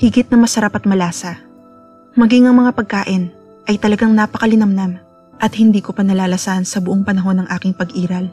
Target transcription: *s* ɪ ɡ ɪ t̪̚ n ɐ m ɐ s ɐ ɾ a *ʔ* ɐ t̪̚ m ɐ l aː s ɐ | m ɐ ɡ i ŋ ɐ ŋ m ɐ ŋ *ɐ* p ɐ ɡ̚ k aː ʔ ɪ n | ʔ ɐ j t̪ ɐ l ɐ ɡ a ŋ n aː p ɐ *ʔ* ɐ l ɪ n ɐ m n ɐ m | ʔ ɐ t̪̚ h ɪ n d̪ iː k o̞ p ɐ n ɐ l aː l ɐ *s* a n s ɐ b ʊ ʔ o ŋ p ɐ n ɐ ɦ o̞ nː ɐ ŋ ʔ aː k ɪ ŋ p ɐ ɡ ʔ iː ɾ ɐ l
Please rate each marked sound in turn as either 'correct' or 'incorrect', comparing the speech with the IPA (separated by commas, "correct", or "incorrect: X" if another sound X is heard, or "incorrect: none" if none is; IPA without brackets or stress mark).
incorrect: h, incorrect: p, incorrect: a, incorrect: k, correct